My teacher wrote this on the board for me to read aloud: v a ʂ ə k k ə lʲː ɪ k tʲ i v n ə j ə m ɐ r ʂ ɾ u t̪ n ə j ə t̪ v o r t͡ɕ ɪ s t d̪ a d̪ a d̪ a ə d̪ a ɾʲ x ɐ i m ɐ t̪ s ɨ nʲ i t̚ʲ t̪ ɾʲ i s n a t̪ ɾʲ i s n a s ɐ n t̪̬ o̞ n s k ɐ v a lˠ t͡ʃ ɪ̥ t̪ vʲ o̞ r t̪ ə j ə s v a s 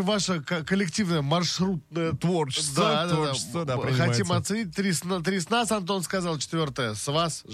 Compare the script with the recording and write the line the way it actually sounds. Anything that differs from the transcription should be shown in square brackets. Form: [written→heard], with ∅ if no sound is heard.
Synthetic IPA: v a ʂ ə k k ə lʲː ɪ k tʲ i v n ə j ə m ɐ r ʂ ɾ u t̪ n ə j ə t̪ v o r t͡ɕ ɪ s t d̪ a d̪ a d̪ a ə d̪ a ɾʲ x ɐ i m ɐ t̪ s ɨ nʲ i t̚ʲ t̪ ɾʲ i s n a t̪ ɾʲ i s n a s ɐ n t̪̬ o̞ n s k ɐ [v→z] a lˠ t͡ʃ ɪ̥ t̪ vʲ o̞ r t̪ ə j ə s v a s